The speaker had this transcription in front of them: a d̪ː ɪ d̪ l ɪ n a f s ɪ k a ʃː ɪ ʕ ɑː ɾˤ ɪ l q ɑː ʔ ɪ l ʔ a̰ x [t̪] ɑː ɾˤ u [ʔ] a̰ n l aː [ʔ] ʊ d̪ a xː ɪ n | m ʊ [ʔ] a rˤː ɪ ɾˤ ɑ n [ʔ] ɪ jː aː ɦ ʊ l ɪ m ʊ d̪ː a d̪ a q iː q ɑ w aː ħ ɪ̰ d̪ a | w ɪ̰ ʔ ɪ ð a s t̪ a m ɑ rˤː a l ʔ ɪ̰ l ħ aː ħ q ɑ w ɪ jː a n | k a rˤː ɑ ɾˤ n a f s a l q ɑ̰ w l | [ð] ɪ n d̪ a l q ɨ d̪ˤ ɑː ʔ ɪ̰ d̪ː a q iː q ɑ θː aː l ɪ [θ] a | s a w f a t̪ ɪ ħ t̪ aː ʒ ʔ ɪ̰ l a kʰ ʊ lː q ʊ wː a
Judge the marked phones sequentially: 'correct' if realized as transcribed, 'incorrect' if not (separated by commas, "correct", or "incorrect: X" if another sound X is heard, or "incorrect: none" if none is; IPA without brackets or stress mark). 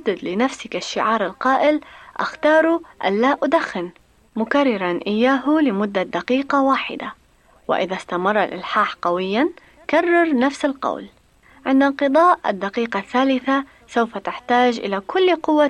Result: correct, correct, correct, incorrect: k, correct, incorrect: ʕ, correct